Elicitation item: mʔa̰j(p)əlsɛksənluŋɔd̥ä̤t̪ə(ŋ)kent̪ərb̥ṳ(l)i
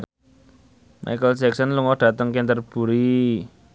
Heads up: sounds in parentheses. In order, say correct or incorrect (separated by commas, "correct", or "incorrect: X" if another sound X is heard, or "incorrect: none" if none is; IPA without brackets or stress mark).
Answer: incorrect: k, correct, incorrect: ɾ